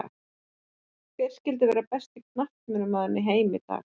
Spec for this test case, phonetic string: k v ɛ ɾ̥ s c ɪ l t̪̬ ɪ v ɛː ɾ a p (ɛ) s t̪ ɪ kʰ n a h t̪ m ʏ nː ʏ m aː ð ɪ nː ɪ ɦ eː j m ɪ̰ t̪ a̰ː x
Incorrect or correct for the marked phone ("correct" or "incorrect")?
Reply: correct